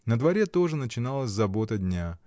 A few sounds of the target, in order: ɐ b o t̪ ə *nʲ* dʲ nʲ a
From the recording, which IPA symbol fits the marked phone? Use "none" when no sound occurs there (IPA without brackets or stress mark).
none